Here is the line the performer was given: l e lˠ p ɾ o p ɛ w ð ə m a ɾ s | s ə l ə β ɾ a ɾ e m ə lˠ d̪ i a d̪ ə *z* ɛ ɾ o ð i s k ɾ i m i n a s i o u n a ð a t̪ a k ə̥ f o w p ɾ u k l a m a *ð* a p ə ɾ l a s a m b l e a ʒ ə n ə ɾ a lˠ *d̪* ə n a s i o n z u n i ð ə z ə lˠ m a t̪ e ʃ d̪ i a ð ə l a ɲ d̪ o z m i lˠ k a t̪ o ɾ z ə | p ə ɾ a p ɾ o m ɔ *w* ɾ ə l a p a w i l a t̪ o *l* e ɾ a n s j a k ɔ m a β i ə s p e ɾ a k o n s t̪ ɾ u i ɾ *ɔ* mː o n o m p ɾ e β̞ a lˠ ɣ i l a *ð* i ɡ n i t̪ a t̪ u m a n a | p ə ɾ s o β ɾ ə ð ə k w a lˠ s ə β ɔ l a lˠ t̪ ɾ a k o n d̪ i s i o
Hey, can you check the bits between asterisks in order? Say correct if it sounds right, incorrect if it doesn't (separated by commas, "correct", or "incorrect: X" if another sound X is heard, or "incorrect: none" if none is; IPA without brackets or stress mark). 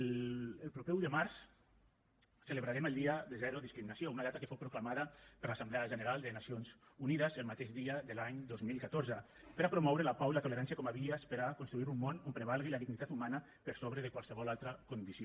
correct, correct, correct, correct, correct, incorrect: u, correct